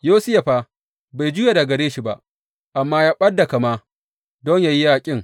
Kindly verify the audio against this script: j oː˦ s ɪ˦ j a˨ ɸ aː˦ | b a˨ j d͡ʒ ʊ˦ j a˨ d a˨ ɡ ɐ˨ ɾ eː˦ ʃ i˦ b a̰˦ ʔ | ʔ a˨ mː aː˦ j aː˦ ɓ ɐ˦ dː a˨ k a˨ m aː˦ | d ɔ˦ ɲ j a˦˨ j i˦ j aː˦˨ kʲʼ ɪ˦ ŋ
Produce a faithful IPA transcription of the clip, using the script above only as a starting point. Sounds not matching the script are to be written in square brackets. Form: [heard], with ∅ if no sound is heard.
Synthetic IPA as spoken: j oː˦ s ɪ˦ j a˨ ɸ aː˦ | b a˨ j d͡ʒ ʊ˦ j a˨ d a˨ ɡ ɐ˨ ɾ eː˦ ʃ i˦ b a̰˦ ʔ | ʔ a˨ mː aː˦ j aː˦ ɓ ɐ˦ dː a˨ k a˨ m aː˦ | d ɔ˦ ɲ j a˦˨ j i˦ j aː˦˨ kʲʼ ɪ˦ ŋ

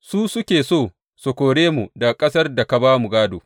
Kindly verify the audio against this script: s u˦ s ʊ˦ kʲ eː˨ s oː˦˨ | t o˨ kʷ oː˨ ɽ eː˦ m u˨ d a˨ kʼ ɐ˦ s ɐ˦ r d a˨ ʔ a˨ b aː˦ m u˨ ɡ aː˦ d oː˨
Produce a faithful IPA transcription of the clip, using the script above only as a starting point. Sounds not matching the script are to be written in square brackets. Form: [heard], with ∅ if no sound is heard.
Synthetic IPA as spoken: s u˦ s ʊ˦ kʲ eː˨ s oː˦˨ | [s] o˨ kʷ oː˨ ɽ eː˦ m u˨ d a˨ kʼ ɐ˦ s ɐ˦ r d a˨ [k] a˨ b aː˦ m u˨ ɡ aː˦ d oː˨

